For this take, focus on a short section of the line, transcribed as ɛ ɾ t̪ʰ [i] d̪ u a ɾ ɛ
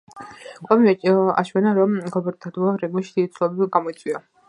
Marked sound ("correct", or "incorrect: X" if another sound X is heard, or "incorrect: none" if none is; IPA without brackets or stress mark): incorrect: a